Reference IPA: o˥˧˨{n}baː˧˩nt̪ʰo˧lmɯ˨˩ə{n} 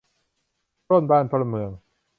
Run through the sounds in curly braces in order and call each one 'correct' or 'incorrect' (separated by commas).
correct, incorrect